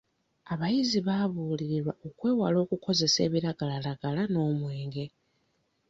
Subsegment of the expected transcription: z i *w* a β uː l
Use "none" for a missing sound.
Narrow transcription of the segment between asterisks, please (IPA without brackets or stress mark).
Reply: β